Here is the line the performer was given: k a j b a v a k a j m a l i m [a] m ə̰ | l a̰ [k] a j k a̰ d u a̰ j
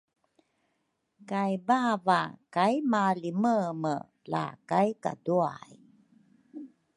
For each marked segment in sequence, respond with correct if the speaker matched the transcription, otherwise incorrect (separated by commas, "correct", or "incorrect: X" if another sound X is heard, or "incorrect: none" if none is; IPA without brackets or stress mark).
incorrect: ə, correct